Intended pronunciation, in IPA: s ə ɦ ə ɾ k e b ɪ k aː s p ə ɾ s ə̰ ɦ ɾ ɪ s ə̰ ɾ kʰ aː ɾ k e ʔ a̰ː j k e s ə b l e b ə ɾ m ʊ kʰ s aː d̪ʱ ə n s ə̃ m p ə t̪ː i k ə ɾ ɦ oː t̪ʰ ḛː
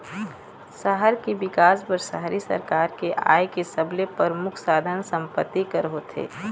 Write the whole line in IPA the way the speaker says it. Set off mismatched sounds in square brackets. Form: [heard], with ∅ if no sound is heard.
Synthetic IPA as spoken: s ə ɦ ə ɾ k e b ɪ k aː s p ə ɾ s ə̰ ɦ ɾ [i] s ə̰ ɾ [k] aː ɾ k e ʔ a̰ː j k e s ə b l e [p] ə ɾ m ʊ kʰ s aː d̪ʱ ə n s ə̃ m p ə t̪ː i k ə ɾ ɦ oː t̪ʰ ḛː